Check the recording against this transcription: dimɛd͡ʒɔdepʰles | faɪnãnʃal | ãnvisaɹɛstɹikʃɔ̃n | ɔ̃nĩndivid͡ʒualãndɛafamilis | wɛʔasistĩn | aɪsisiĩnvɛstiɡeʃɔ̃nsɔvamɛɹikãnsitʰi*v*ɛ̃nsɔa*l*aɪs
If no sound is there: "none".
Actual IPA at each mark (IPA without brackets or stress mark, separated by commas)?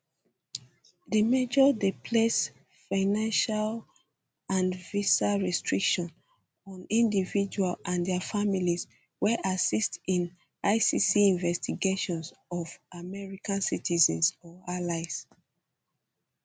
z, l